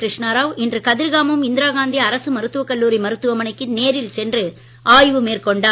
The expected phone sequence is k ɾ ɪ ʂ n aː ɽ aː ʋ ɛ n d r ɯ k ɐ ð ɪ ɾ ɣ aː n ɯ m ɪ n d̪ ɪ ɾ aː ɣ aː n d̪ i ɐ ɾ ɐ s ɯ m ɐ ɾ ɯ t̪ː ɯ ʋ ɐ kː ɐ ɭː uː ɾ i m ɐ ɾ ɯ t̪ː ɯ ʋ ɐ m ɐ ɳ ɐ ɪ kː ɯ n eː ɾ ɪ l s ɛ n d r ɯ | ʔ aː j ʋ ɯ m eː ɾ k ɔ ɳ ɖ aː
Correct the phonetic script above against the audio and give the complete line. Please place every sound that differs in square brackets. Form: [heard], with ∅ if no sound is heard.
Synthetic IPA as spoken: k ɾ ɪ ʂ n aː [ɾ] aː ʋ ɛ n d r ɯ k ɐ ð ɪ ɾ ɣ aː [m] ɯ m ɪ n d̪ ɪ ɾ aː ɣ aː n d̪ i ɐ ɾ ɐ s ɯ m ɐ ɾ ɯ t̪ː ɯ ʋ ɐ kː ɐ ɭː uː ɾ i m ɐ ɾ ɯ t̪ː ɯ ʋ ɐ m ɐ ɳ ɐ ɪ kː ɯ n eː ɾ ɪ l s ɛ n d r ɯ | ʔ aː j ʋ ɯ m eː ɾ k ɔ ɳ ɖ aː